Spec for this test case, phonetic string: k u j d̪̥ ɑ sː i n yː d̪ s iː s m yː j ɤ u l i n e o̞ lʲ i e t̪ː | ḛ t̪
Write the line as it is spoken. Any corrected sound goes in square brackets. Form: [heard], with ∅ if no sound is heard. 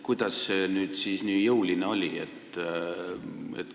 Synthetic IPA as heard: k u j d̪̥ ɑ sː [e] n yː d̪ s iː s [n] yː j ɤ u l i n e o̞ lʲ i e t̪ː | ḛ t̪